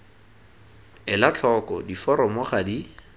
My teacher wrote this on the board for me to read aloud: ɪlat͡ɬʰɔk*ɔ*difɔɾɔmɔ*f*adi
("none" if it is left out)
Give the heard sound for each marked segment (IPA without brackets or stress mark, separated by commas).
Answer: ɔ, χ